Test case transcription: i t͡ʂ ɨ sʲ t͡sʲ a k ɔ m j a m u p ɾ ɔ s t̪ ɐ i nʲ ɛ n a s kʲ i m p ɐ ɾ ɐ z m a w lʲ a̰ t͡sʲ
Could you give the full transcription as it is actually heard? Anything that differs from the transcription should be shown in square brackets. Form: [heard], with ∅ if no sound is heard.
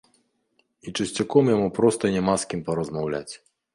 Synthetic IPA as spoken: i t͡ʂ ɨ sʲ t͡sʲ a k ɔ m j a m u p ɾ ɔ s t̪ ɐ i nʲ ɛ [m] a s kʲ i m p ɐ ɾ ɐ z m a w lʲ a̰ t͡sʲ